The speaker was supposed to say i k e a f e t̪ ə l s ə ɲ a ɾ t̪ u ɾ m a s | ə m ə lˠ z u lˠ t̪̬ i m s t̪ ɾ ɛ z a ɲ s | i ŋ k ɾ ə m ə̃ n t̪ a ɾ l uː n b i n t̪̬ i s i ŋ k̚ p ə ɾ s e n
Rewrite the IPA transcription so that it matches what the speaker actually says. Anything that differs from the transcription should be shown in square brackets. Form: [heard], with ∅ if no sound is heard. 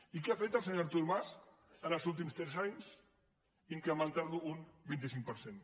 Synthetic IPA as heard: i k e a f e t̪ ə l s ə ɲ a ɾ t̪ u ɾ m a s | ə [n] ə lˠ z u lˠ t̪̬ i m s t̪ ɾ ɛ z a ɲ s | i ŋ k ɾ ə m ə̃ n t̪ a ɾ l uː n b i n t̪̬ i s i ŋ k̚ p ə ɾ s e n